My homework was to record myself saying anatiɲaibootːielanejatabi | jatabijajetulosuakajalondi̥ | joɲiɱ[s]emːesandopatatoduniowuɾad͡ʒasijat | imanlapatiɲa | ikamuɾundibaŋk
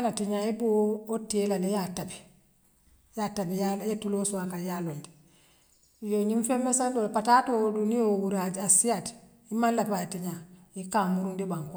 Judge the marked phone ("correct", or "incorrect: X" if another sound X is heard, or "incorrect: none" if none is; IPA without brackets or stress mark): incorrect: f